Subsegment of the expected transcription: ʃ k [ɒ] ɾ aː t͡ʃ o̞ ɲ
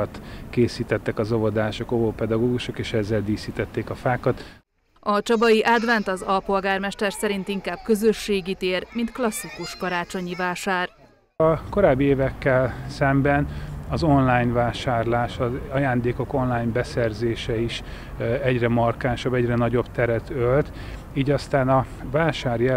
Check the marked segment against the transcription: correct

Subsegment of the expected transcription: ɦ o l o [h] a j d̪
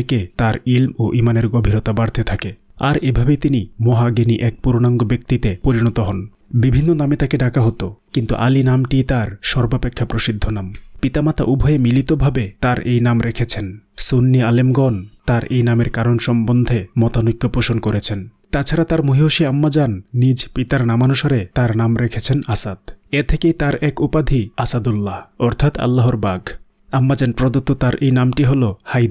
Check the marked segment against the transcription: correct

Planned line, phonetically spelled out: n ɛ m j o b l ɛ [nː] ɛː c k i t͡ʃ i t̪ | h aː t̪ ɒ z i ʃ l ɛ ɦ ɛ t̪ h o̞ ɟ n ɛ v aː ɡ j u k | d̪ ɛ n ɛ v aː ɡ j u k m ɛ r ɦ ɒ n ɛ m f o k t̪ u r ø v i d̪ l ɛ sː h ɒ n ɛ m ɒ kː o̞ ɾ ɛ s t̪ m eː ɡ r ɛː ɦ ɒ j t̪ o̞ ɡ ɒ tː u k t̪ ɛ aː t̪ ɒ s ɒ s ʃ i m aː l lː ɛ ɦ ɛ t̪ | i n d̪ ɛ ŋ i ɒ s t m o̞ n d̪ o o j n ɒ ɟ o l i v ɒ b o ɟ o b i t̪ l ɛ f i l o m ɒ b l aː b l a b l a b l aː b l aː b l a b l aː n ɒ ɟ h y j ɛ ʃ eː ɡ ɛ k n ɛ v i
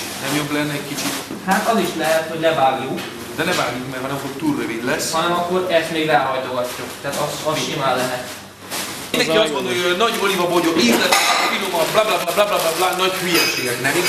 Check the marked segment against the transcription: correct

